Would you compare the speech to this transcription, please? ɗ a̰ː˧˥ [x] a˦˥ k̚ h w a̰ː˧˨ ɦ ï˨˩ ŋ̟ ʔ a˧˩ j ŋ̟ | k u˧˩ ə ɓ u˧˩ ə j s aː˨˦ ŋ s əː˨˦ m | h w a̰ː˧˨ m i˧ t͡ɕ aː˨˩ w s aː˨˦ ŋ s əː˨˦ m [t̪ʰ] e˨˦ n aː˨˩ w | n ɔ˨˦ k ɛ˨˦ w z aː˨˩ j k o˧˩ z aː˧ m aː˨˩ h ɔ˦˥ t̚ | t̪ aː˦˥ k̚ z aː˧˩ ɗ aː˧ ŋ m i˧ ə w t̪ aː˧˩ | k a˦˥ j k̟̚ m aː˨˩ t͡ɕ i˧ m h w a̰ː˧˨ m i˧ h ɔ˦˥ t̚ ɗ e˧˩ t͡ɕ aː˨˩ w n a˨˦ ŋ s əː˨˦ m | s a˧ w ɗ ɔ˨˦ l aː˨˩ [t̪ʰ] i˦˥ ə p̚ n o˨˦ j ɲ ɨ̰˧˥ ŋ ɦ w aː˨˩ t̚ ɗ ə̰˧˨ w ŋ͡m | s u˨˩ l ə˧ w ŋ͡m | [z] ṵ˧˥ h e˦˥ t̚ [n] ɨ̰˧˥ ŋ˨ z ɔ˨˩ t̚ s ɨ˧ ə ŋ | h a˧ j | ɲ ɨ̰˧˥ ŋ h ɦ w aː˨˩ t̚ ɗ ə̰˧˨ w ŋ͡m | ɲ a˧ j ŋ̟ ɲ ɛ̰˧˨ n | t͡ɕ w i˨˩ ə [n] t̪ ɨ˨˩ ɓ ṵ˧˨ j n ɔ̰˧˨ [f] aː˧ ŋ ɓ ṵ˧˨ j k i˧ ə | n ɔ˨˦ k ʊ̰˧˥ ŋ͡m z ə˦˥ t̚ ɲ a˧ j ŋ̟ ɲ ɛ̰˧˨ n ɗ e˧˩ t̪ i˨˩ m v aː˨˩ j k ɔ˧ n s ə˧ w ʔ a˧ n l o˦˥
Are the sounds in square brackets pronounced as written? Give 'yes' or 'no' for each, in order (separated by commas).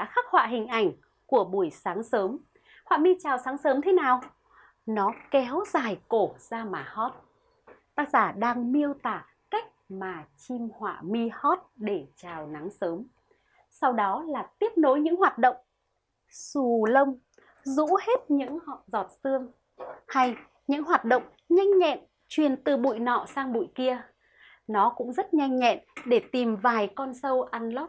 yes, yes, no, yes, no, yes, no